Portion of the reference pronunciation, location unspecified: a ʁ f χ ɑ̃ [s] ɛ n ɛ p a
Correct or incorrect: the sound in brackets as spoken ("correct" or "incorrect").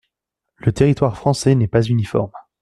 correct